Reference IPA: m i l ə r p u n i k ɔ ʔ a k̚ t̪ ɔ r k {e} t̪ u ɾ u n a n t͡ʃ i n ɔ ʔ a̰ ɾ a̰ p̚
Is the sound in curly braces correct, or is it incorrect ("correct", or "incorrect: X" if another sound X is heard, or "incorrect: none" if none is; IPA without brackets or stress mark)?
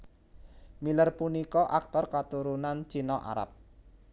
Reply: incorrect: a